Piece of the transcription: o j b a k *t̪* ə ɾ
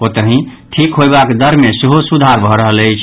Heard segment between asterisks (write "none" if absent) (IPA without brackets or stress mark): d̪